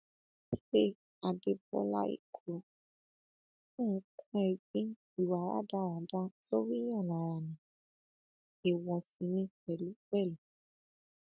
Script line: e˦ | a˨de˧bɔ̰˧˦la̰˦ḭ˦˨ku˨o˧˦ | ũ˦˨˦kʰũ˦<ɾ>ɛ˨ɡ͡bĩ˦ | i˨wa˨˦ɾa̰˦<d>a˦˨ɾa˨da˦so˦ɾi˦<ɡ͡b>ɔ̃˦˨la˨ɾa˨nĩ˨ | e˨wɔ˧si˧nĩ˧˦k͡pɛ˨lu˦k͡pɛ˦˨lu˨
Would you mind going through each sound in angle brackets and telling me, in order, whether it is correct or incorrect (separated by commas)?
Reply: incorrect, correct, incorrect